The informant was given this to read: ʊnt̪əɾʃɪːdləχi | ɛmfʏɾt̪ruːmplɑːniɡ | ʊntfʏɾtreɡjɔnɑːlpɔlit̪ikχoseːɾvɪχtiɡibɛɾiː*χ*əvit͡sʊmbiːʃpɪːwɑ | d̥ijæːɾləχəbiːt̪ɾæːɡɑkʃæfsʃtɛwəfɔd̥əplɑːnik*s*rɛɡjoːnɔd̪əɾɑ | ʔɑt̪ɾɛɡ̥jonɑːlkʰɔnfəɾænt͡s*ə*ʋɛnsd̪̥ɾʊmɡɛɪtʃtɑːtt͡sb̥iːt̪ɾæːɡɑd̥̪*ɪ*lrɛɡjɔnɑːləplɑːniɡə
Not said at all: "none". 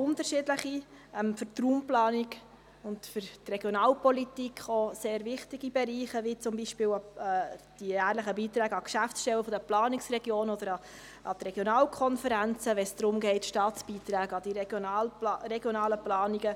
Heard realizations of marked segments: χ, s, ə, i

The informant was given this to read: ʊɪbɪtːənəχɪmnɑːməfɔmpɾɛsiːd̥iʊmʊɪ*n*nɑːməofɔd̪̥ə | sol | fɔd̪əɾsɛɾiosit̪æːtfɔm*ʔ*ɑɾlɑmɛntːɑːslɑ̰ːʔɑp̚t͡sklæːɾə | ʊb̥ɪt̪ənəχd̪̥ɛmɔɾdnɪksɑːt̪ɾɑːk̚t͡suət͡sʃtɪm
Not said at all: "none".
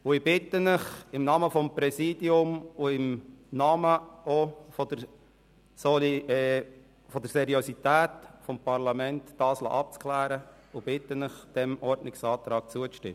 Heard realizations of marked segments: m, p

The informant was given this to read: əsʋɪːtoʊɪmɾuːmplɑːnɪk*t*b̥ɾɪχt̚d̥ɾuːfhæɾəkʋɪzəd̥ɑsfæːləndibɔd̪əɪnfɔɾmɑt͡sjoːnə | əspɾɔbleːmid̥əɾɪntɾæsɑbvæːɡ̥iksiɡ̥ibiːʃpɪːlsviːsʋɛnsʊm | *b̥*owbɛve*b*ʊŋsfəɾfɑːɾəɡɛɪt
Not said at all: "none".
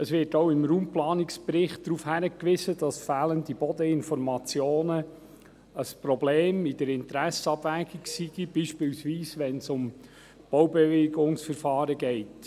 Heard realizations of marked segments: s, b̥, ɡ

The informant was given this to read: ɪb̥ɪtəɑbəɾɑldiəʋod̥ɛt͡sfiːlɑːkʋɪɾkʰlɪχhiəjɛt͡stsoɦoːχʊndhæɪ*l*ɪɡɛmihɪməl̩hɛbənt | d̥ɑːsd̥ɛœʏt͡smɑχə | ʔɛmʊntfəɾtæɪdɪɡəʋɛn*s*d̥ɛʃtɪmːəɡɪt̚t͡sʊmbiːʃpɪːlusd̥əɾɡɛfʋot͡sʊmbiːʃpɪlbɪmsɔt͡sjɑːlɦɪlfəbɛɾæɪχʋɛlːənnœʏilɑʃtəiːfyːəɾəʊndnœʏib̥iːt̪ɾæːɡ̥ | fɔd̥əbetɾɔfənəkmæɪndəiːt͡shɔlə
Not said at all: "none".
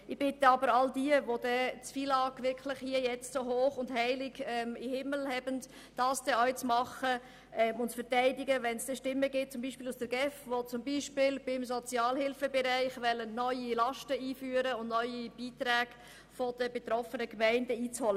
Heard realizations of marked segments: l, s

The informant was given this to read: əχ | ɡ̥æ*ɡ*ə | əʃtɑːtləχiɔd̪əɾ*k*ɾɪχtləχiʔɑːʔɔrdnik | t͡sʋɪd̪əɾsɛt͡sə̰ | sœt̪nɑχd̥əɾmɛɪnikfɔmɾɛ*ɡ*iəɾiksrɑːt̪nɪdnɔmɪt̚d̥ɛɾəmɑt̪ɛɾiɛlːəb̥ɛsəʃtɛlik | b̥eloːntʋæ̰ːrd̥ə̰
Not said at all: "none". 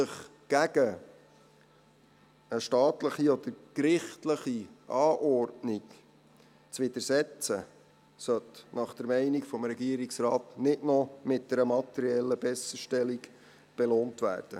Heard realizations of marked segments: ɡ, k, ɡ

